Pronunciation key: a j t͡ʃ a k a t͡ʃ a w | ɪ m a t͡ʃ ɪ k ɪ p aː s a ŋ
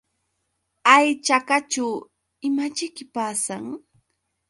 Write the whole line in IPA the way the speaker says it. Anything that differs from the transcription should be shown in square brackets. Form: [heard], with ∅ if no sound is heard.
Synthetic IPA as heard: a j t͡ʃ a k a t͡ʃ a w | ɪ m a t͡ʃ ɪ k ɪ p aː s a ŋ

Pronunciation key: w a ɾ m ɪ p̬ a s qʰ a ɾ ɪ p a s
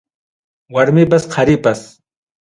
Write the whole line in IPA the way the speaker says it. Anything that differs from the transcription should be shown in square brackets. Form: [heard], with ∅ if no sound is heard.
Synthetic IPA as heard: w a ɾ m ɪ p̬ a s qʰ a ɾ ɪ p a s

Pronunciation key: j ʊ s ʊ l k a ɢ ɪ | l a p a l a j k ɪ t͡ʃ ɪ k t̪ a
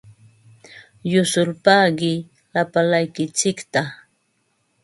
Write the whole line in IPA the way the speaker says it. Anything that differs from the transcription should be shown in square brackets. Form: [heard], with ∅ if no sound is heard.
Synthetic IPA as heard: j ʊ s ʊ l [p] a ɢ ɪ | l a p a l a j k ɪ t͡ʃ ɪ k t̪ a

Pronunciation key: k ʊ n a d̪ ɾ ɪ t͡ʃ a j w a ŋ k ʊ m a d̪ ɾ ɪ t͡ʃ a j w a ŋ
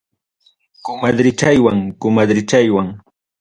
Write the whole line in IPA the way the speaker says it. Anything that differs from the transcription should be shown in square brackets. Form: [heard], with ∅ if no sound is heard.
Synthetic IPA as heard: k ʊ [m] a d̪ ɾ ɪ t͡ʃ a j w a ŋ k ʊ m a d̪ ɾ ɪ t͡ʃ a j w a ŋ

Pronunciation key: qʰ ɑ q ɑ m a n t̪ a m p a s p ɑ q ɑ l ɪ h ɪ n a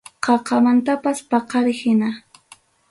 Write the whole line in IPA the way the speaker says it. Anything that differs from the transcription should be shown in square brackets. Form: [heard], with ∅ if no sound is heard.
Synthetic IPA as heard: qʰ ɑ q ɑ m a n t̪ a [∅] p a s p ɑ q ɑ [ɾ] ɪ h ɪ n a

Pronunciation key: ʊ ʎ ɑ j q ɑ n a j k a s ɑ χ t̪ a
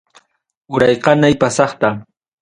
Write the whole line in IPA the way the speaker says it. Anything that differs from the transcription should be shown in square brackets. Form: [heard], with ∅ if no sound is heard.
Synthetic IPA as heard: ʊ [ɾ] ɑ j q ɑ n a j [p] a s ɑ χ t̪ a

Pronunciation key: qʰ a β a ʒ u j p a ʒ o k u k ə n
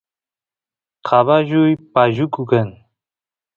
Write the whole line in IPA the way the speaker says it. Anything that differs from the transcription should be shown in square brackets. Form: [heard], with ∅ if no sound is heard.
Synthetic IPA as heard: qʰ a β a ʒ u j p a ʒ [u] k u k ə n

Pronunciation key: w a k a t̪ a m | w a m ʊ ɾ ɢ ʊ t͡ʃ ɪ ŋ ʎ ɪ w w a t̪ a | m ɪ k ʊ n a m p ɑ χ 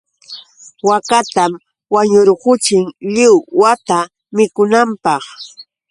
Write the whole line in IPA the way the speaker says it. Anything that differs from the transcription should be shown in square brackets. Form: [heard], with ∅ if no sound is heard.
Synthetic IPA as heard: w a k a t̪ a m | w a [ɲ] ʊ ɾ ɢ ʊ t͡ʃ ɪ ŋ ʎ ɪ w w a t̪ a | m ɪ k ʊ n a m p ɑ χ

